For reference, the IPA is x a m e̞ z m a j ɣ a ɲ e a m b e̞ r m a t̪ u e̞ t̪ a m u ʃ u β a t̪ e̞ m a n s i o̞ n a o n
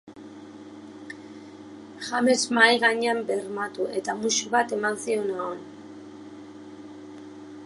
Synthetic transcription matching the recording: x a m e̞ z m a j ɣ a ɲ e a m b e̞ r m a t̪ u e̞ t̪ a m u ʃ u β a t̪ e̞ m a n s i o̞ n a o n